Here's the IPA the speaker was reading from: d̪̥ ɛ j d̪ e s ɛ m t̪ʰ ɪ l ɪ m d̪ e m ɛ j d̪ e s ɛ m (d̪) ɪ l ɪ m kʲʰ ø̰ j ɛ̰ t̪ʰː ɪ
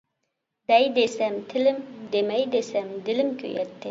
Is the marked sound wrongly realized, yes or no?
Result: no